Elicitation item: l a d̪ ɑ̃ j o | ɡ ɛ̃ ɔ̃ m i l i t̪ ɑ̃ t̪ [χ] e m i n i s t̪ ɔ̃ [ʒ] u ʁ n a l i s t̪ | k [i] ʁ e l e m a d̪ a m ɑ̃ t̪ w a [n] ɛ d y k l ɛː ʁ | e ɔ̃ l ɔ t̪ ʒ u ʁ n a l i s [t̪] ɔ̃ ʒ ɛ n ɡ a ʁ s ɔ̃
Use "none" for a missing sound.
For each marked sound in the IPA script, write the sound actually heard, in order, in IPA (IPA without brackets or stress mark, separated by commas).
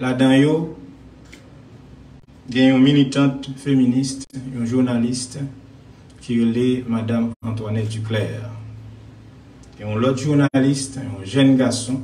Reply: f, ʒ, i, n, t̪